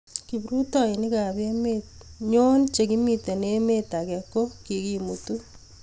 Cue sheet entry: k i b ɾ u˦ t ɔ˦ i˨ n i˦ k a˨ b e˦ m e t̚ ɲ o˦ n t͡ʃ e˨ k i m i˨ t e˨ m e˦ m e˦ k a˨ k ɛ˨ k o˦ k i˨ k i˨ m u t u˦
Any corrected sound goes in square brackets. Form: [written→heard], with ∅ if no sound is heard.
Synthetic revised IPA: k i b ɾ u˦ t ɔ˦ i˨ n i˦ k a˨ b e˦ m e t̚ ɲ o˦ n t͡ʃ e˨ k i m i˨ t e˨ [m→n] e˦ m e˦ [k→t] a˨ k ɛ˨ k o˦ k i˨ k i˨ m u t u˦